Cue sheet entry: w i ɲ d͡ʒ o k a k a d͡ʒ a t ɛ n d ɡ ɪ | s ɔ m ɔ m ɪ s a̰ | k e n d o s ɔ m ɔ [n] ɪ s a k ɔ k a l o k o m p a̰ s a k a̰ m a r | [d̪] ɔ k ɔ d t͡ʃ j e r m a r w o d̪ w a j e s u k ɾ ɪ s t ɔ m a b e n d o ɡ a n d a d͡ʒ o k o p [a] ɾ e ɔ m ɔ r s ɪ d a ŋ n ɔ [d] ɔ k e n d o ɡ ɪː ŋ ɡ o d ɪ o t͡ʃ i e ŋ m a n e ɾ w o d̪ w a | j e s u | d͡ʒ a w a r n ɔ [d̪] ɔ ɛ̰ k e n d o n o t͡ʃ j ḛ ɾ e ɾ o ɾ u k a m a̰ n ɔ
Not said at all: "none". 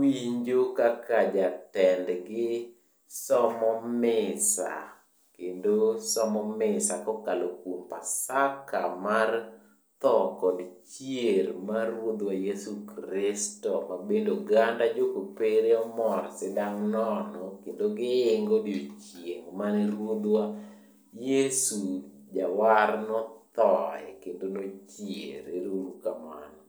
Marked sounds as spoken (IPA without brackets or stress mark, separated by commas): m, t̪, e, n, t̪